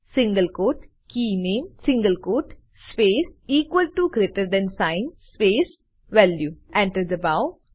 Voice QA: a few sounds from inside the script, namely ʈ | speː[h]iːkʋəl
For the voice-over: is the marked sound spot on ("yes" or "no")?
no